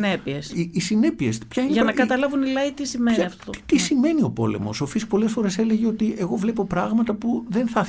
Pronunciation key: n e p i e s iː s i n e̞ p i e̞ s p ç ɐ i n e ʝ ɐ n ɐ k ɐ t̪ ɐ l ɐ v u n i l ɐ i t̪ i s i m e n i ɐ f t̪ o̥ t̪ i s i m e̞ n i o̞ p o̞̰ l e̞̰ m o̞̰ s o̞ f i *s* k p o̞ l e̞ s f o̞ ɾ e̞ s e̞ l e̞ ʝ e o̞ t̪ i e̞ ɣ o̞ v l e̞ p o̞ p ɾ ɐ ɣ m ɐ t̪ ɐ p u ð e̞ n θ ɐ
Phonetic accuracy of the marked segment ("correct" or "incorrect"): correct